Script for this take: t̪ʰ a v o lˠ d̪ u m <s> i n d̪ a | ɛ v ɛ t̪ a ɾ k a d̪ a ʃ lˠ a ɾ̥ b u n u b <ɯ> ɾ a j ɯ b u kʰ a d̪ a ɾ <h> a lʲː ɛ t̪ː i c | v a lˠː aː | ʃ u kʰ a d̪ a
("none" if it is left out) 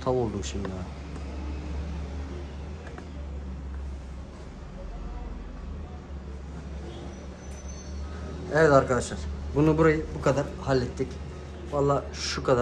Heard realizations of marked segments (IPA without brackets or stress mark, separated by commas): ʃ, u, h